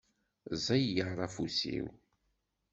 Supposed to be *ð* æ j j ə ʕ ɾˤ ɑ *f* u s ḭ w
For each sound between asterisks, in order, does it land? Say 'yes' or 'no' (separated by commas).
no, yes